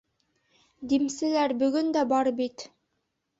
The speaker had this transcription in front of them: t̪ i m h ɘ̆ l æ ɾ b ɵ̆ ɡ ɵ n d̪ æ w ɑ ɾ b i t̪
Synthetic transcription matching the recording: d̪ i m s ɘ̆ l æ ɾ b ɵ̆ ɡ ɵ n d̪ æ b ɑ ɾ b i t̪